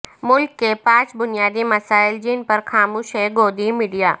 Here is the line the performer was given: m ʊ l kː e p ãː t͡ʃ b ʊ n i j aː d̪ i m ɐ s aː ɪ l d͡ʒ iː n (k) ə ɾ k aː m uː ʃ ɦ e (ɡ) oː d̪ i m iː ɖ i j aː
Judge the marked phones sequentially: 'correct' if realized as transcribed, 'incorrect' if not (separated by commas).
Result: incorrect, correct